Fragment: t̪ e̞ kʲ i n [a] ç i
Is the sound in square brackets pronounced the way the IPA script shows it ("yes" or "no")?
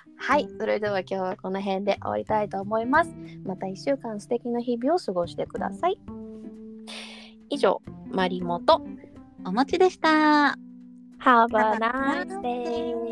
yes